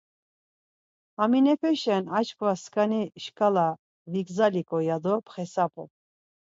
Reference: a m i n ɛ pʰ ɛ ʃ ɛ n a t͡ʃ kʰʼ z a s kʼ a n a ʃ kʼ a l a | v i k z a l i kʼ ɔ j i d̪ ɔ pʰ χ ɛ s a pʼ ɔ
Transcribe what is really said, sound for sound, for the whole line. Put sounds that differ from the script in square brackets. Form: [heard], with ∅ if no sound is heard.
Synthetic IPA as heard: a m i n ɛ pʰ ɛ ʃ ɛ n a t͡ʃ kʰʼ [v] a s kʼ a n [i] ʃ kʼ a l a | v i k z a l i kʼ ɔ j [a] d̪ ɔ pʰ χ ɛ s a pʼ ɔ